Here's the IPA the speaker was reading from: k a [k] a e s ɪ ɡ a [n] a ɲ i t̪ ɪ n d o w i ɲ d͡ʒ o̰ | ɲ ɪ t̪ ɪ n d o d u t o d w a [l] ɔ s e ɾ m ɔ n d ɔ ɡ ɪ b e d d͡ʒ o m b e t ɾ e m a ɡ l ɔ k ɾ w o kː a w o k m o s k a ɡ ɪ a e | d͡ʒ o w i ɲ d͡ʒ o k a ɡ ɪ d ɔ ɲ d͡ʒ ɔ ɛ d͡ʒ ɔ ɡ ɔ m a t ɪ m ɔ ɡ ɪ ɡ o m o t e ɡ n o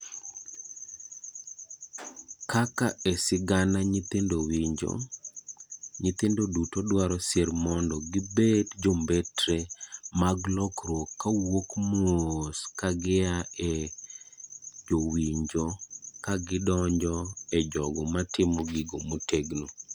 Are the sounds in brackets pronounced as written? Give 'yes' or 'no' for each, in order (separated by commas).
yes, yes, no